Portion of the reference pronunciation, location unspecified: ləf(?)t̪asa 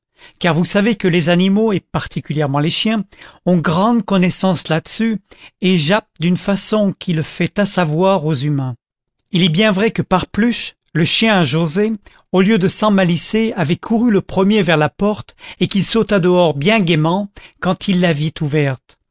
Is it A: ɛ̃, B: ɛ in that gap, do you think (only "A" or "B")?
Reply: B